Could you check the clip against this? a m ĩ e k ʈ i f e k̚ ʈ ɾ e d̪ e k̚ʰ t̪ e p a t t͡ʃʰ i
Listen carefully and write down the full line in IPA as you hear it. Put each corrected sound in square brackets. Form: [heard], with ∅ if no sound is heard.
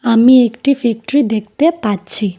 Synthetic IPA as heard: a m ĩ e k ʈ i f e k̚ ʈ ɾ [i] d̪ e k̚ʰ t̪ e p a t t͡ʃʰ i

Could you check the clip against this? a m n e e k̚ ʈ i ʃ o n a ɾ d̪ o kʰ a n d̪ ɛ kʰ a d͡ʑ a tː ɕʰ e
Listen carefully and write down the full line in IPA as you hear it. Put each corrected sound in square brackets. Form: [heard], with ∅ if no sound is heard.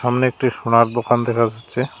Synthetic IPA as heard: a m n e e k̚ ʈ i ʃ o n a ɾ d̪ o [k] a n d̪ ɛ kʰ a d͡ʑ a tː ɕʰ e

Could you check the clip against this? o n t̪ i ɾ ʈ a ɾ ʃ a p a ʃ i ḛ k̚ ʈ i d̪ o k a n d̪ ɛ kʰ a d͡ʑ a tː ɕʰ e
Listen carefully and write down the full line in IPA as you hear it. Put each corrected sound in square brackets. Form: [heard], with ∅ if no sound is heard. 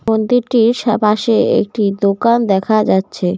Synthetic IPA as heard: o n [d̪] i ɾ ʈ [i] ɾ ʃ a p a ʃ [e] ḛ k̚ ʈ i d̪ o k a n d̪ ɛ kʰ a d͡ʑ a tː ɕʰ e

